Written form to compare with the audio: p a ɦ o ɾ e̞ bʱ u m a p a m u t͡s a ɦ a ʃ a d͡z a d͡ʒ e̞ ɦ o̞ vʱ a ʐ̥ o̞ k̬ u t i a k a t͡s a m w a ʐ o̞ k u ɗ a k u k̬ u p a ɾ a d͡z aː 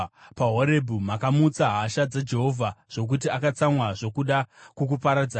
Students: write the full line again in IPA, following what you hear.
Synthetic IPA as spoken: p a ɦ o ɾ e̞ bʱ u m a k a m u t͡s a ɦ a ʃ a d͡z a d͡ʒ e̞ ɦ o̞ vʱ a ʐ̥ o̞ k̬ u t i a k a t͡s a m w a ʐ o̞ k u ɗ a k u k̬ u p a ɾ a d͡z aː

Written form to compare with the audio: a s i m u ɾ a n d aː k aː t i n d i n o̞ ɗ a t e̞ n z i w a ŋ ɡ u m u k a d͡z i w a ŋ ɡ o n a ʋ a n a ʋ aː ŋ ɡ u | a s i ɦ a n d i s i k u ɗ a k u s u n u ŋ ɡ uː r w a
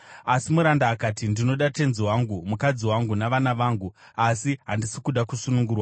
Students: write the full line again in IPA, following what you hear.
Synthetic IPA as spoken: a s i m u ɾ a n d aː k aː t i n d i n o̞ ɗ a t e̞ n z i w a ŋ ɡ u m u k a d͡z i w a ŋ ɡ u n a ʋ a n a ʋ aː ŋ ɡ u | a s i ɦ a n d i s i k u ɗ a k u s u n u ŋ ɡ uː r w a

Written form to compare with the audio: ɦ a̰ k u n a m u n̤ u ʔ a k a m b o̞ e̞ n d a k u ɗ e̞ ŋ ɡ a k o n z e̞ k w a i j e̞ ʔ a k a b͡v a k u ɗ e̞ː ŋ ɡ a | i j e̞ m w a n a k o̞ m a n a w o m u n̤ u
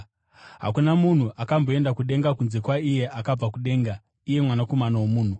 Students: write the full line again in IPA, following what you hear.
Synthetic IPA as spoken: ɦ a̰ k u n a m u n̤ u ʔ a k a m b o̞ e̞ n d a k u ɗ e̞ ŋ ɡ a k u n z e̞ k w a i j e̞ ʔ a k a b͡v a k u ɗ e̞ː ŋ ɡ a | i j e̞ m w a n a k o̞ m a n a w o m uː n̤ u

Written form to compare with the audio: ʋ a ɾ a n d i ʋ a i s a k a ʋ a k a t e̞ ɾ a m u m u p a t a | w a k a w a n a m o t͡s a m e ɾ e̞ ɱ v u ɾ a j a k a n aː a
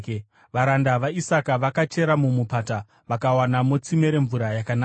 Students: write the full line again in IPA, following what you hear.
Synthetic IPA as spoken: ʋ a ɾ a n d a ʋ a i s a k a ʋ a k a t͡ʃ e̞ ɾ a m u m u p a t a | ʋ a k a w a n a m o t͡s i m e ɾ e̞ ɱ v u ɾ a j a k a n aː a

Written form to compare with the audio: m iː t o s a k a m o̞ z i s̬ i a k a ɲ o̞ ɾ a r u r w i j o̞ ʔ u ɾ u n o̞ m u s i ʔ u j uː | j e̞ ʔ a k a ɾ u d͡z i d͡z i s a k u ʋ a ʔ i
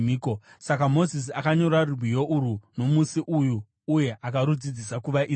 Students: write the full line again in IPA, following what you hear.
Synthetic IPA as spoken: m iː k o s a k a m o̞ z i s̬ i a k a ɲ o̞ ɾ a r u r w i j o̞ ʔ u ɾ u n o̞ m u s i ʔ u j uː | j e̞ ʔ a k a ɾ u d͡z i d͡z i s a k u ʋ a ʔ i

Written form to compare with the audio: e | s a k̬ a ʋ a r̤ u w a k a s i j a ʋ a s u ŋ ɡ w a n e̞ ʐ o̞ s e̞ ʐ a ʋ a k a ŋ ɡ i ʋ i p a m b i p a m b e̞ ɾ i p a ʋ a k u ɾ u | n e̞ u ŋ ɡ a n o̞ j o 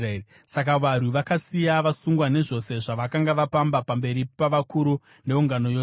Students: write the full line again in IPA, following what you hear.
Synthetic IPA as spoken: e | s a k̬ a ʋ a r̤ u ʋ a k a s i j a ʋ a s u ŋ ɡ w a n e̞ ʐ o̞ s e̞ ʐ a ʋ a k a ŋ ɡ a ʋ a p a m b a p a m b e̞ ɾ i p a ʋ a k u ɾ u | n e̞ u ŋ ɡ a n o̞ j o

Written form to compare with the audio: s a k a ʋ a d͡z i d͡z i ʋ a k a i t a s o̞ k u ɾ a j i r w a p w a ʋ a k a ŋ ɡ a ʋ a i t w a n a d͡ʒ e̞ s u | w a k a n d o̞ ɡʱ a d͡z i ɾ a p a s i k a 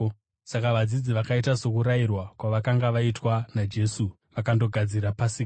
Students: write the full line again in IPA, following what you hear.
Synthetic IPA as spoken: s a k a ʋ a d͡z i d͡z i ʋ a k a i t a s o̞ k u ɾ a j i r w a k w a ʋ a k a ŋ ɡ a ʋ a i t w a n a d͡ʒ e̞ s u | ʋ a k a n d o̞ ɡʱ a d͡z i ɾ a p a s i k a

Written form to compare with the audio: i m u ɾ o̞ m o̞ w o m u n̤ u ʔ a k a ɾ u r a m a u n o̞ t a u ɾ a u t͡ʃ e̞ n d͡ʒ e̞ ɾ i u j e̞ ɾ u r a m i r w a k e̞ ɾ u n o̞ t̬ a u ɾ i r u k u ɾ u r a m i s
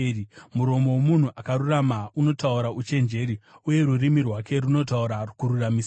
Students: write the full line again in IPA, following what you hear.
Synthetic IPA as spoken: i m u ɾ o̞ m o̞ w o m u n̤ u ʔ a k a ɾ u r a m a u n o̞ t a u ɾ a u t͡ʃ e̞ n d͡ʒ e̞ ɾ i u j e̞ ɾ u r i m i r w a k e̞ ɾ u n o̞ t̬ a u ɾ a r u k u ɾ u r a m i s

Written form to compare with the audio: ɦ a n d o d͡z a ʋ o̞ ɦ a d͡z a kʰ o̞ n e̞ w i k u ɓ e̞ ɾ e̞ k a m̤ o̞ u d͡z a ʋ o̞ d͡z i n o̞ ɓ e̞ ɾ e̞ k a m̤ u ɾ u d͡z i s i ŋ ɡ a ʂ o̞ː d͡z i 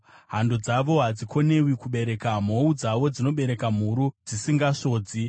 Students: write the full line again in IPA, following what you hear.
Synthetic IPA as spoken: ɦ a n d o d͡z a ʋ o̞ ɦ a d͡z i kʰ o̞ n e̞ w i k u ɓ e̞ ɾ e̞ k a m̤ o̞ u d͡z a ʋ o̞ d͡z i n o̞ ɓ e̞ ɾ e̞ k a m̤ u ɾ u d͡z i s i ŋ ɡ a ʂ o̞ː d͡z i

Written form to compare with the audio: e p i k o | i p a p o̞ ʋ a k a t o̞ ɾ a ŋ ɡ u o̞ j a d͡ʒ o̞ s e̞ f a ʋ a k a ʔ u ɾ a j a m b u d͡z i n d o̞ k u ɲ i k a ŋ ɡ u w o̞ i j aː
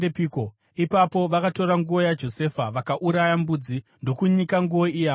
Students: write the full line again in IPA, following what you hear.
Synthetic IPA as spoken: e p i k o | i p a p o̞ ʋ a k a t o̞ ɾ a ŋ ɡ u o̞ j a d͡ʒ o̞ s e̞ f a ʋ a k a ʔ u ɾ a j a m b u d͡z i n d o̞ k u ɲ i k a ŋ ɡ u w o̞ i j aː

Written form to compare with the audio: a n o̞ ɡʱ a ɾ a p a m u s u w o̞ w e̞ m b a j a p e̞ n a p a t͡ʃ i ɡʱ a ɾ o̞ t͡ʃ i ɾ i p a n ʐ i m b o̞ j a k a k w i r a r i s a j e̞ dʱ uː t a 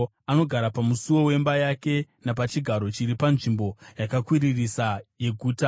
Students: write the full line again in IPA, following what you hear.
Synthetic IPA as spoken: a n o̞ ɡʱ a ɾ a p a m u s u w o̞ w e̞ m b a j a k e̞ n a p a t͡ʃ i ɡʱ a ɾ o̞ t͡ʃ i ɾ i p a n ʐ i m b o̞ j a k a k w i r i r i s a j e̞ ɡʱ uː t a

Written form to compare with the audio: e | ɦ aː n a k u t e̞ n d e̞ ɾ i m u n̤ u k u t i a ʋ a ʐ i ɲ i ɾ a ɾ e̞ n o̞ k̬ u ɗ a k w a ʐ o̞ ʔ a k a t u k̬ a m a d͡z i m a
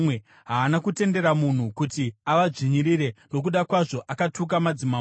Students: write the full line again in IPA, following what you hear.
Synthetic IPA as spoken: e | ɦ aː n a k u t e̞ n d e̞ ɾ a m u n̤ u k u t i a ʋ a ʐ i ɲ i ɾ i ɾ e̞ n o̞ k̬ u ɗ a k w a ʐ o̞ ʔ a k a t u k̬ a m a d͡z i m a

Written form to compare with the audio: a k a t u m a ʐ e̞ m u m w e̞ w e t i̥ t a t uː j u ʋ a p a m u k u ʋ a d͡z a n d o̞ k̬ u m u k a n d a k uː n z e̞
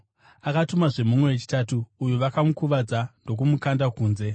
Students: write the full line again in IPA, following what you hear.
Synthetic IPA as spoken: a k a t u m a ʐ e̞ m u m w e̞ w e t͡ʃ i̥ t a t uː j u ʋ a k a m u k u ʋ a d͡z a n d o̞ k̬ u m u k a n d a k uː n z e̞

